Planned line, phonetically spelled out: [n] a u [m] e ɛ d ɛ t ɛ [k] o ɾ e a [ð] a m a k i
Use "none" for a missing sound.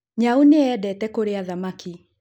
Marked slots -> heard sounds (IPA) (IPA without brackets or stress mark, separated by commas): ɲ, n, k, ð